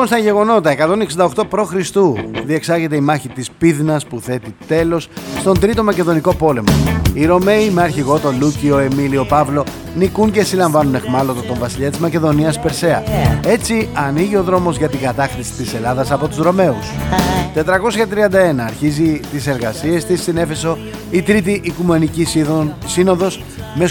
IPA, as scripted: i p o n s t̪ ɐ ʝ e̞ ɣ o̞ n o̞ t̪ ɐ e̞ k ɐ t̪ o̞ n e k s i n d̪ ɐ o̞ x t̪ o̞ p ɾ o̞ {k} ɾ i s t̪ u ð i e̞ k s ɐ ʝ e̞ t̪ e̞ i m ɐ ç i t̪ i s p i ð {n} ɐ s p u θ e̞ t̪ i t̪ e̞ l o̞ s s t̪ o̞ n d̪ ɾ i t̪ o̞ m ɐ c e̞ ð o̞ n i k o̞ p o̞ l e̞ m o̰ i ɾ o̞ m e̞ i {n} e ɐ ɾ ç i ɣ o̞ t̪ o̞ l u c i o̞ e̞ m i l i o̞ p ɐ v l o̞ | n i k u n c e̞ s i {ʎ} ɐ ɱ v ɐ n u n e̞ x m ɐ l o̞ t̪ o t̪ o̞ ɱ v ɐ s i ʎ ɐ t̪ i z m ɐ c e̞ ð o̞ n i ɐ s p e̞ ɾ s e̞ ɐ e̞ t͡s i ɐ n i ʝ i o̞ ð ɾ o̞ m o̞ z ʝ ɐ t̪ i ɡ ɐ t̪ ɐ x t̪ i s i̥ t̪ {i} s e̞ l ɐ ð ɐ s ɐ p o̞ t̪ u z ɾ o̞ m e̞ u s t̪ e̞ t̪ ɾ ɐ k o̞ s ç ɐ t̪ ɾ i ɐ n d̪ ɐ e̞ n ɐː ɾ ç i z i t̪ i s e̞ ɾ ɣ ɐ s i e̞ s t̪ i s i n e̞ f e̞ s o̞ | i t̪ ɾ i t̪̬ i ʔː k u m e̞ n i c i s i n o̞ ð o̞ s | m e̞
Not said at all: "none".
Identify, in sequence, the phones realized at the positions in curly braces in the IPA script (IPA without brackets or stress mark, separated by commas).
x, n, m, l, i